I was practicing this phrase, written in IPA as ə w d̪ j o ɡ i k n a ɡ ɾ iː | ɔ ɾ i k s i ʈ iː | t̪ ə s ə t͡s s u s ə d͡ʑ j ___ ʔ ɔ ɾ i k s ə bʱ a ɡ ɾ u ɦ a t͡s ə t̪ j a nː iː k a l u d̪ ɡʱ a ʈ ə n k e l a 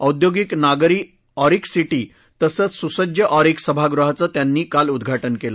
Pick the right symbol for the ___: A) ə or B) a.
A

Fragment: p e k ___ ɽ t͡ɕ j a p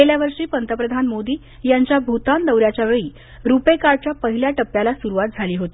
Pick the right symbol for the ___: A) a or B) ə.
A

